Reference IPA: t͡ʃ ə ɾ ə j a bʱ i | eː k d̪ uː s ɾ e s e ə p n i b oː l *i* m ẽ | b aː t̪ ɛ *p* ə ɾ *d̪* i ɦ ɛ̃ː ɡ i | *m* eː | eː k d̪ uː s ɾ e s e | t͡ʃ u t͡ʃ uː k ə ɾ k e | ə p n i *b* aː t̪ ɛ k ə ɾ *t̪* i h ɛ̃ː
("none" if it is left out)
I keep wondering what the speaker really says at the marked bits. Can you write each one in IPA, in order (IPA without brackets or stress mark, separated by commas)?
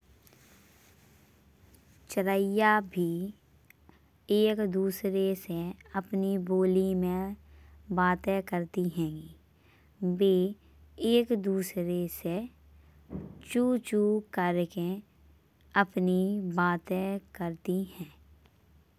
i, k, t̪, b, b, t̪